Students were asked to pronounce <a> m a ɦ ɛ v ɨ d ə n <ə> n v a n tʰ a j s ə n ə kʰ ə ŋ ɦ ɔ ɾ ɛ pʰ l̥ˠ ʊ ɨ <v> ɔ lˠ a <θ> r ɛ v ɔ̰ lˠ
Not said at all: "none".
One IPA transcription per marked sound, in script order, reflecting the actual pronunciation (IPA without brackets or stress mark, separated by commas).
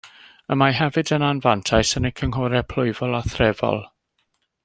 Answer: ə, a, v, θ